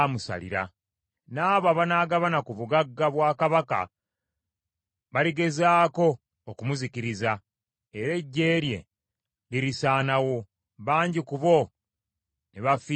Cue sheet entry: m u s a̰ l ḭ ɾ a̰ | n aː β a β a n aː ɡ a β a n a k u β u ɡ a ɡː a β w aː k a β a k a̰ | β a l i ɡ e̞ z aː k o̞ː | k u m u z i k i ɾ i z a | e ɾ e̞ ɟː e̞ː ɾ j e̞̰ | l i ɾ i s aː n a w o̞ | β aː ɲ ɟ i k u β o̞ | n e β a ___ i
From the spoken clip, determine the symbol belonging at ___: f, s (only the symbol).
f